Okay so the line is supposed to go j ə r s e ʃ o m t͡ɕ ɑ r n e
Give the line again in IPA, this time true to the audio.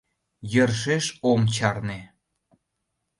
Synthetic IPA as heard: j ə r ʃ e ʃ o m t͡ɕ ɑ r n e